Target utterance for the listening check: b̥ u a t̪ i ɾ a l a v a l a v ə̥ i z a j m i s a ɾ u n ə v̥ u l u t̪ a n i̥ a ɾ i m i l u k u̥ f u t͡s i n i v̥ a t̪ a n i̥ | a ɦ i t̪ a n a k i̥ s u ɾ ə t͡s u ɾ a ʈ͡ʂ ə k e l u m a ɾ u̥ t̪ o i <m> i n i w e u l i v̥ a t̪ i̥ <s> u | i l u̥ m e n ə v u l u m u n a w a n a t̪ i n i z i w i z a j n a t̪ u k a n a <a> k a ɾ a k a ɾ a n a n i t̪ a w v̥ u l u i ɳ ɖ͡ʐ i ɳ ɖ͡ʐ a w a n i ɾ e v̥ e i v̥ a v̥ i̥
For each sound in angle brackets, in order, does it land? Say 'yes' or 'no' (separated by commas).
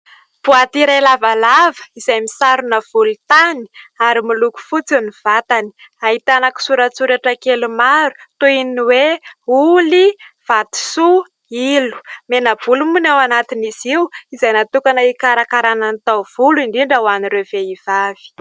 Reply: no, yes, no